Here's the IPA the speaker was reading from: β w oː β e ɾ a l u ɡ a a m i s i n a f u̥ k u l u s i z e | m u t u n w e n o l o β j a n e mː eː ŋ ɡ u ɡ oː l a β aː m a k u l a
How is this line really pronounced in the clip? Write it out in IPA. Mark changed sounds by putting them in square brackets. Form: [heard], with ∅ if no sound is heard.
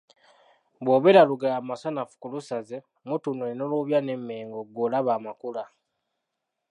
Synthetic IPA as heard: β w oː β e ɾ a l u ɡ a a m [a] s [a] n a f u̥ k u l u s [a] z e | m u t u n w e n o l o β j a n e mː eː ŋ ɡ [o] ɡ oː l a β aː m a k u l a